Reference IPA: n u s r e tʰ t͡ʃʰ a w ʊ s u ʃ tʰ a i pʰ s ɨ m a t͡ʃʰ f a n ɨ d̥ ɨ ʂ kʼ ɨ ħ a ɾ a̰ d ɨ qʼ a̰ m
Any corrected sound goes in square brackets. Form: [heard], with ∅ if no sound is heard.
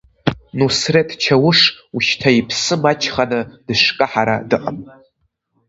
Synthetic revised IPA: n u s r e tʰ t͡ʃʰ a w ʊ [ʂ] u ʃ tʰ a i pʰ s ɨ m a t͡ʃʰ [χ] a n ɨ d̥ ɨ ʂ kʼ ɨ ħ a ɾ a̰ d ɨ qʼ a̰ m